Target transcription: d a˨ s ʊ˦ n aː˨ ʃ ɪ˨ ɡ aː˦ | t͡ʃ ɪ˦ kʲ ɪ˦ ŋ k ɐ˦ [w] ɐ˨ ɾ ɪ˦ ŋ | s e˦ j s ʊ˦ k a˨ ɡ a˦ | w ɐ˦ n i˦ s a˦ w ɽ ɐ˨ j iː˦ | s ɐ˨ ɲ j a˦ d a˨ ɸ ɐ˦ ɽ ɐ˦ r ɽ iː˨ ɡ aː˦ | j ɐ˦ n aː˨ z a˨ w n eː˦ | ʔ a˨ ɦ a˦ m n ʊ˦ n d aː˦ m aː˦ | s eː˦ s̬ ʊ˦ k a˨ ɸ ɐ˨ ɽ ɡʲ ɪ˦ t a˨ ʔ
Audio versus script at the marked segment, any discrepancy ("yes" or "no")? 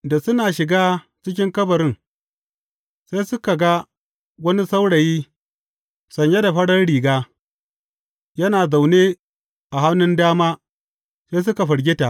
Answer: yes